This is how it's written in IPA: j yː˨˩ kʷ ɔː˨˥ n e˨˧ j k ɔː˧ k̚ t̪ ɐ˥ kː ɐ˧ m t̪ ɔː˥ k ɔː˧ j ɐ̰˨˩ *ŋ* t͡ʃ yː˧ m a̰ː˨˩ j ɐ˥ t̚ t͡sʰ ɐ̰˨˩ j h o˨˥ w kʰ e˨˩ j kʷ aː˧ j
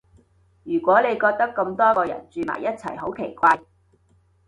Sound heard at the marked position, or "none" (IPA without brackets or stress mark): n